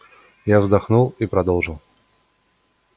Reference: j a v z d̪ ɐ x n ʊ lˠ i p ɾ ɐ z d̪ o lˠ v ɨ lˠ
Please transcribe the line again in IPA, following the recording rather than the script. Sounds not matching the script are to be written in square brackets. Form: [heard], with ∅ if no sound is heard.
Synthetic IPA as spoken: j a v z d̪ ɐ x n [u] lˠ i p ɾ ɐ [∅] d̪ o lˠ [ʐ] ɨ lˠ